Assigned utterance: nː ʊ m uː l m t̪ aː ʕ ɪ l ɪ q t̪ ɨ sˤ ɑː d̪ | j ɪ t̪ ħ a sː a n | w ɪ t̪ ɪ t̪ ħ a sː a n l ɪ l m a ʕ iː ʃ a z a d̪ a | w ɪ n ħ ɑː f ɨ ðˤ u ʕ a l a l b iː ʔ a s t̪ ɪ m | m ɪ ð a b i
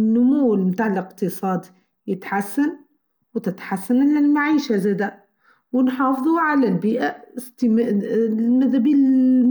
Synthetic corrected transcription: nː ʊ m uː l m t̪ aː ʕ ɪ l ɪ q t̪ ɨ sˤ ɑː d̪ | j ɪ t̪ ħ a sː a n | w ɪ t̪ ɪ t̪ ħ a sː a n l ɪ l m a ʕ iː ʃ a z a d̪ a | w ɪ n ħ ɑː f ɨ ðˤ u ʕ a l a l b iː ʔ a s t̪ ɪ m | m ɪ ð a b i